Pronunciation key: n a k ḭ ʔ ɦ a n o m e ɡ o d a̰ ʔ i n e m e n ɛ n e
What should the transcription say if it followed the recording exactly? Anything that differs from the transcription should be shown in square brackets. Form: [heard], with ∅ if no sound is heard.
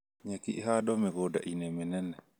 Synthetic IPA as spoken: [ɲ] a k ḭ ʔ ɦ a [d] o m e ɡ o d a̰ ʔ i n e m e n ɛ n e